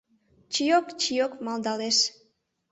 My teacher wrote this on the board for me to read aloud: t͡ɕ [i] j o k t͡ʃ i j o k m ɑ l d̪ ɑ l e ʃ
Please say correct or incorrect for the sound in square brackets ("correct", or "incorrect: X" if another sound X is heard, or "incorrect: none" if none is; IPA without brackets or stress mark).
correct